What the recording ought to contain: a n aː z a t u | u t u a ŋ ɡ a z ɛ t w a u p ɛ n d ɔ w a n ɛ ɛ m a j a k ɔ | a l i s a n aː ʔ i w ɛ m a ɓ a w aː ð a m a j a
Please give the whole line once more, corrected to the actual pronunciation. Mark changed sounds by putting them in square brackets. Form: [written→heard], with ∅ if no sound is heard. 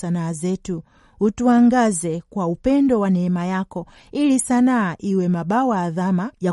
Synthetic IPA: a n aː z [a→ɛ] t u | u t u a ŋ ɡ a z ɛ [t→k] w a u p ɛ n d ɔ w a n ɛ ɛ m a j a k ɔ | [a→i] l i s a n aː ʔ i w ɛ m a ɓ a w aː ð a m a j a